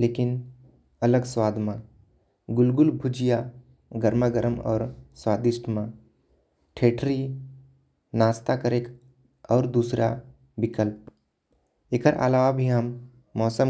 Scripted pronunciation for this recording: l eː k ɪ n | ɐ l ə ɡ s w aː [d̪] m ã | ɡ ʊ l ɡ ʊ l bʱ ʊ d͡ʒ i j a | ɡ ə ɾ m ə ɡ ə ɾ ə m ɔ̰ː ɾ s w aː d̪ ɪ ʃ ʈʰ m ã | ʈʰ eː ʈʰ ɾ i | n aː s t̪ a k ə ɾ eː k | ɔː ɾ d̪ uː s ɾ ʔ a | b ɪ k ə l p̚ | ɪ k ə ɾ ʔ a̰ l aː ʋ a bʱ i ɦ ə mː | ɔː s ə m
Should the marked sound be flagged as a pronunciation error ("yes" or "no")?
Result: no